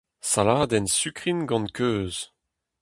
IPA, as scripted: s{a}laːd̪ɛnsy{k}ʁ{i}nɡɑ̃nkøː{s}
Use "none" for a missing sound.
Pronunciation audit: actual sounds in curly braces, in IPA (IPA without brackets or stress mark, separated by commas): a, k, i, z